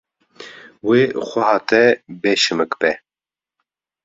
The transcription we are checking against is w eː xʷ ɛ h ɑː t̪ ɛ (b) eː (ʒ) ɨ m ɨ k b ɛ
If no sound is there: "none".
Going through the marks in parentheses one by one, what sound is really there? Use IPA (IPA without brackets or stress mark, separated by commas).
b, ʃ